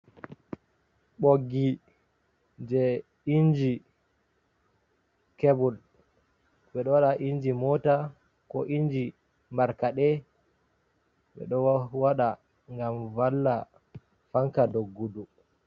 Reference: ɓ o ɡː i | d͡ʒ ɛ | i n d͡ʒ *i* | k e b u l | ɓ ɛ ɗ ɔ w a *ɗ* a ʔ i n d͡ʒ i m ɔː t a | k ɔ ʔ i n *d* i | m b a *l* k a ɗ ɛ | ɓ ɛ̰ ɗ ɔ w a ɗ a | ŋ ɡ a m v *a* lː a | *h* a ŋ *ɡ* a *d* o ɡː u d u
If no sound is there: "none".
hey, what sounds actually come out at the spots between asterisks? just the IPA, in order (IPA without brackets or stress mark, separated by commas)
i, ɗ, d͡ʒ, ɾ, a, f, k, d